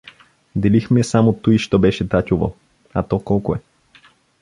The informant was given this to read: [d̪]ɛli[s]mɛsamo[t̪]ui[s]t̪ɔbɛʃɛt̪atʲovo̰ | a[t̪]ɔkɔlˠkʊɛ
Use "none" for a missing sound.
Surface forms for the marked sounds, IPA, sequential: d̪, x, t̪, ʃ, t̪

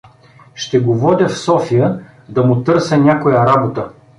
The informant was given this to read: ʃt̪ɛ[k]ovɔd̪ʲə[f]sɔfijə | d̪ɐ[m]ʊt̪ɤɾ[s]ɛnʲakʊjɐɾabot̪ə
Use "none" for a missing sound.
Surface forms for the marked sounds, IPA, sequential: ɡ, f, m, s

